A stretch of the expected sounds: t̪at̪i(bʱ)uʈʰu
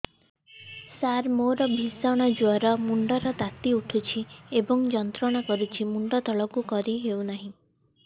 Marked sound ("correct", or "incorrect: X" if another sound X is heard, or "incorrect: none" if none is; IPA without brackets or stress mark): incorrect: none